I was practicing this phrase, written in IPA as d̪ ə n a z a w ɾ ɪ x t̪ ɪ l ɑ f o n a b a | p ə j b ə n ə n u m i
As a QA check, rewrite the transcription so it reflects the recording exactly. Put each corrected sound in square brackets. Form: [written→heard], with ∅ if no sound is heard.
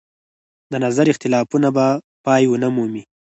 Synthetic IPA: d̪ ə n a z a [w→∅] ɾ ɪ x t̪ ɪ l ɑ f [o→u] n a b a | p [ə→ɑ] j [b→w] ə n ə [n→m] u m i